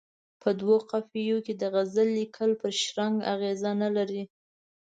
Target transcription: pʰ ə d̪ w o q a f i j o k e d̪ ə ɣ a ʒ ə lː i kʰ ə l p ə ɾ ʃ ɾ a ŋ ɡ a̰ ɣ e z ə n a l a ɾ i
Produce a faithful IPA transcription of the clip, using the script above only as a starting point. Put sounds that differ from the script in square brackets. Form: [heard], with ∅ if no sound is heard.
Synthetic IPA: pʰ ə d̪ w o q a f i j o k e d̪ ə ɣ a [z] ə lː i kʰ ə l p ə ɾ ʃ ɾ a ŋ ɡ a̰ ɣ e z [a] n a l a ɾ i